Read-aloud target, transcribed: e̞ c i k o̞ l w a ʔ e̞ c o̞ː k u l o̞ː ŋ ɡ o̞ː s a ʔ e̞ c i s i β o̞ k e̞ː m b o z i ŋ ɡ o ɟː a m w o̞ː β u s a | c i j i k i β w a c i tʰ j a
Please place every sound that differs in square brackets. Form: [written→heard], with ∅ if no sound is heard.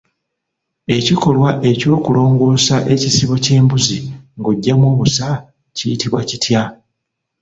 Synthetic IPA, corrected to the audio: e̞ c i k o̞ l w a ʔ e̞ c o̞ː k u l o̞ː ŋ ɡ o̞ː s a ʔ e̞ c i s i β o̞ [k→c] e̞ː m b [o→u] z i ŋ ɡ o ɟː a m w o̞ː β u s a | c i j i [k→t] i β w a c i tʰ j a